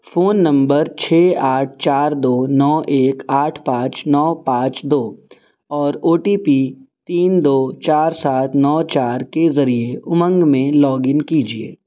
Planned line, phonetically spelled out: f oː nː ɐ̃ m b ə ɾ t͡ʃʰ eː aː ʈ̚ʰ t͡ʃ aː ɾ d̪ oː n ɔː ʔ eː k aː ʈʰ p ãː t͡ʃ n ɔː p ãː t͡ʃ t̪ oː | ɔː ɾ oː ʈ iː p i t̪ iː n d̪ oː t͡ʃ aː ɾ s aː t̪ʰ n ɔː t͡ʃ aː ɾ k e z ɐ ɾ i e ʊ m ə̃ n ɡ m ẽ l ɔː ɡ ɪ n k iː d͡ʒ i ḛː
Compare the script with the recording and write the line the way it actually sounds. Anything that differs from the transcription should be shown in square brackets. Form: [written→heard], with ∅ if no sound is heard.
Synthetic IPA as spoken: f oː nː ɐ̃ m b ə ɾ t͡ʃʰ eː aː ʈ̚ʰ t͡ʃ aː ɾ d̪ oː n ɔː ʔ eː k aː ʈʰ p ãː t͡ʃ n ɔː p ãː t͡ʃ [t̪→d̪] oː | ɔː ɾ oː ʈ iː p i t̪ iː n d̪ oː t͡ʃ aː ɾ s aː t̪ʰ n ɔː t͡ʃ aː ɾ k e z ɐ ɾ i e ʊ m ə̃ [n→ŋ] ɡ m ẽ l ɔː ɡ ɪ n k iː d͡ʒ i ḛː

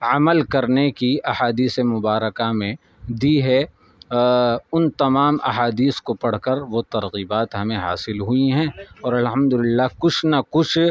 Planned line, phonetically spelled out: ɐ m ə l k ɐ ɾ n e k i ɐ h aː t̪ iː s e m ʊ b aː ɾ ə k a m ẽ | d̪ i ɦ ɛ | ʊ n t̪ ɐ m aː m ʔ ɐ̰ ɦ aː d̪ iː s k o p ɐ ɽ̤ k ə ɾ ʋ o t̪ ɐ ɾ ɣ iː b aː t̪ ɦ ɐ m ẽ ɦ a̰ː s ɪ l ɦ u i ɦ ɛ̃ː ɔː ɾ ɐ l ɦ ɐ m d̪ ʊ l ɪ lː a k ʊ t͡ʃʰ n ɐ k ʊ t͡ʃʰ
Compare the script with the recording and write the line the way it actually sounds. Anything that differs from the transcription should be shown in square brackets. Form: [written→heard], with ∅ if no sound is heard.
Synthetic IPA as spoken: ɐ m ə l k ɐ ɾ n e k i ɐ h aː [t̪→d̪] iː s e m ʊ b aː ɾ ə k a m ẽ | d̪ i ɦ ɛ | ʊ n t̪ ɐ m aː m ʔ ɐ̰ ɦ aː d̪ iː s k o p ɐ ɽ̤ k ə ɾ ʋ o t̪ ɐ ɾ ɣ iː b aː t̪ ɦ ɐ m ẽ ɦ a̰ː s ɪ l ɦ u i ɦ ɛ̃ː ɔː ɾ ɐ l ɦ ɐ m d̪ ʊ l ɪ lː a k ʊ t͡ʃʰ n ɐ k ʊ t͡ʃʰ

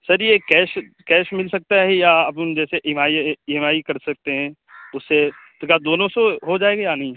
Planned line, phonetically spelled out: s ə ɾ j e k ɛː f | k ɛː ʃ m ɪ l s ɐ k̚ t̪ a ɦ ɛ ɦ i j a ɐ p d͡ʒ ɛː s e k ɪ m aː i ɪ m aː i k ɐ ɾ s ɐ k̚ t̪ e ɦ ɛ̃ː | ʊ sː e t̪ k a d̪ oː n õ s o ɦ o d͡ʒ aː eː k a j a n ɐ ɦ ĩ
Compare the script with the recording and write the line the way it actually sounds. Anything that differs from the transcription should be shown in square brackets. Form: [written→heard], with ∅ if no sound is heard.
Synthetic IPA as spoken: s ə ɾ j e k ɛː [f→ʃ] | k ɛː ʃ m ɪ l s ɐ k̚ t̪ a ɦ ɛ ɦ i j a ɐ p d͡ʒ ɛː s e [k→ʔ] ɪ m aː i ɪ m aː i k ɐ ɾ s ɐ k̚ t̪ e ɦ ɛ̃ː | ʊ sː e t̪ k a d̪ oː n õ s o ɦ o d͡ʒ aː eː [k→ɡ] a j a n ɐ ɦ ĩ

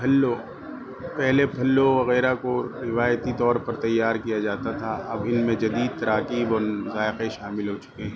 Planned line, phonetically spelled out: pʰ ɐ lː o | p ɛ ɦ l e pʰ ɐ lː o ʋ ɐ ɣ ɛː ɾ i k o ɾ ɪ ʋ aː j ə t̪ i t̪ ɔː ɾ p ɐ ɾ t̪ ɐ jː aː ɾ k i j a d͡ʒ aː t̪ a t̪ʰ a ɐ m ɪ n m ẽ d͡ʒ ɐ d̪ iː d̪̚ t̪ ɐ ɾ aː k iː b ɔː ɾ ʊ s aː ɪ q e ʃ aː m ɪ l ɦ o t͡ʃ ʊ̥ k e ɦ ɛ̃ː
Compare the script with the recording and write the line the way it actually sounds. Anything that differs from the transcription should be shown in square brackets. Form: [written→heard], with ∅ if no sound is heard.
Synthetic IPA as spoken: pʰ ɐ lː o | p ɛ ɦ l e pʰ ɐ lː o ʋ ɐ ɣ ɛː ɾ [i→a] k o ɾ ɪ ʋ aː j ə t̪ i t̪ ɔː ɾ p ɐ ɾ t̪ ɐ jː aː ɾ k i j a d͡ʒ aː t̪ a t̪ʰ a ɐ [m→b] ɪ n m ẽ d͡ʒ ɐ d̪ iː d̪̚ t̪ ɐ ɾ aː k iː b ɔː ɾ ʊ [s→z] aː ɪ q e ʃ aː m ɪ l ɦ o t͡ʃ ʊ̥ k e ɦ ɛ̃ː

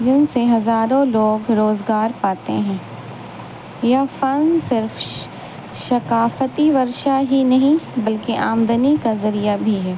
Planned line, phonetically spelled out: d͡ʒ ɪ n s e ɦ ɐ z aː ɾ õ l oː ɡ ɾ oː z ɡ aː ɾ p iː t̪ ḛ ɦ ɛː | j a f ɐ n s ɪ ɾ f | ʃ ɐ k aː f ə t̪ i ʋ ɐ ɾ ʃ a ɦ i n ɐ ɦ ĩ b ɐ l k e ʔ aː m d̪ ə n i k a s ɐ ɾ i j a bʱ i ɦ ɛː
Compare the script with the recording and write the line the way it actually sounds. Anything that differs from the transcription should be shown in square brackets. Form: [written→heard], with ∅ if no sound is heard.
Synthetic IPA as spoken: d͡ʒ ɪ n s e ɦ ɐ z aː ɾ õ l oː ɡ ɾ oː z ɡ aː ɾ p [iː→aː] t̪ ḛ ɦ [ɛː→ɛ̃ː] | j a f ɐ n s ɪ ɾ f | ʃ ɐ k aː f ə t̪ i ʋ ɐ ɾ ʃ a ɦ i n ɐ ɦ ĩ b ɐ l k e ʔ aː m d̪ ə n i k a [s→z] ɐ ɾ i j a bʱ i ɦ ɛː

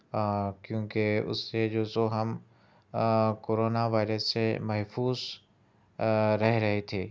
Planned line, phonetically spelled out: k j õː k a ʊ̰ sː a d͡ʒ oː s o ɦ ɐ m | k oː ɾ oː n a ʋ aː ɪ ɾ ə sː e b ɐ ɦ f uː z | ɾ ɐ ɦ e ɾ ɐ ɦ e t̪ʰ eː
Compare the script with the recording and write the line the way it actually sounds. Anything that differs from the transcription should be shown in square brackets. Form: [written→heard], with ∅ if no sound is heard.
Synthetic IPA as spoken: k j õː k [a→e] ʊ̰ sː [a→e] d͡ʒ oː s o ɦ ɐ m | k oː ɾ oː n a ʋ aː ɪ ɾ ə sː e [b→m] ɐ ɦ f uː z | ɾ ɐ ɦ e ɾ ɐ ɦ e t̪ʰ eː

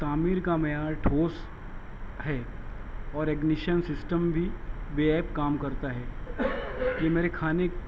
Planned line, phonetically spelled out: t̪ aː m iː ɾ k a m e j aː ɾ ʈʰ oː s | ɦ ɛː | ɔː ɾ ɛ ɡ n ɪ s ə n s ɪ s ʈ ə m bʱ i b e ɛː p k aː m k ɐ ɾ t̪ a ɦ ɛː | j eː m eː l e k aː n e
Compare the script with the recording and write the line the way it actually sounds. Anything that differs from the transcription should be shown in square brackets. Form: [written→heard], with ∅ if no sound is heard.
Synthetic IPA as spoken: t̪ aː m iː ɾ k a m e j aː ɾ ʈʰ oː s | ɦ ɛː | ɔː ɾ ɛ ɡ n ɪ [s→ʃ] ə n s ɪ s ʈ ə m bʱ i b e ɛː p k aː m k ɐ ɾ t̪ a ɦ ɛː | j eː m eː [l→ɾ] e [k→kʰ] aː n e

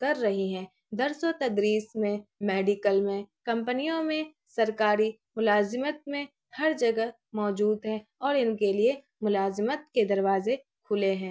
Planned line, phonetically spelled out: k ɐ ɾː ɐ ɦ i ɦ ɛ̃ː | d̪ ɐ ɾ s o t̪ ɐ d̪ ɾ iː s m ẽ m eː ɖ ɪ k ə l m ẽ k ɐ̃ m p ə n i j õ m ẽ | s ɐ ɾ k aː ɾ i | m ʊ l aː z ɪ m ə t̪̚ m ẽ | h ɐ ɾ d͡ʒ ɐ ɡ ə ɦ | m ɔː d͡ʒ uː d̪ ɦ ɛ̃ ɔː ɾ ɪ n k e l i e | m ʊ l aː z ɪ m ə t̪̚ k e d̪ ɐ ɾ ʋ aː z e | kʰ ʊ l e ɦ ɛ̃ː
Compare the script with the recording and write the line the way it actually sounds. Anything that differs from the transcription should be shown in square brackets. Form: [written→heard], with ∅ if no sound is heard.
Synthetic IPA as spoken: k ɐ ɾː ɐ ɦ i ɦ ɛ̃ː | d̪ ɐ ɾ s o t̪ ɐ d̪ ɾ iː s m ẽ m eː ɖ ɪ k ə l m ẽ k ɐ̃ m p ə n i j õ m ẽ | s ɐ ɾ k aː ɾ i | m ʊ l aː z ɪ m ə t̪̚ m ẽ | h ɐ ɾ d͡ʒ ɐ ɡ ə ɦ | m ɔː d͡ʒ uː d̪ ɦ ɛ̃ ɔː ɾ ɪ n k e l i e | m ʊ l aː z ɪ m ə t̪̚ k e d̪ ɐ ɾ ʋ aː z e | kʰ ʊ l e ɦ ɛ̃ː

